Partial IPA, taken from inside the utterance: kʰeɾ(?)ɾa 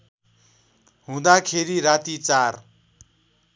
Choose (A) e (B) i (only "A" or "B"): B